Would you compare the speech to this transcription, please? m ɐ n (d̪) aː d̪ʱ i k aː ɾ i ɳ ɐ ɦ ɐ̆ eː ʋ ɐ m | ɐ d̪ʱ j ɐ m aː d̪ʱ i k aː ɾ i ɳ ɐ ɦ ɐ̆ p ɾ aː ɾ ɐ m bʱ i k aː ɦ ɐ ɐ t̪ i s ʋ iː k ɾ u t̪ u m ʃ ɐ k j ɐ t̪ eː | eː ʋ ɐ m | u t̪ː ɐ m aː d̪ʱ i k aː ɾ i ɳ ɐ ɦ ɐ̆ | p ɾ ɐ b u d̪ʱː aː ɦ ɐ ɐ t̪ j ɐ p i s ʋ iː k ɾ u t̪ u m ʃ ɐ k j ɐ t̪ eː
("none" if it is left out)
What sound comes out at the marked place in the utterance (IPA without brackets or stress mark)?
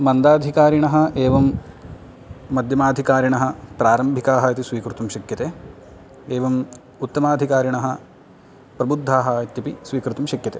d̪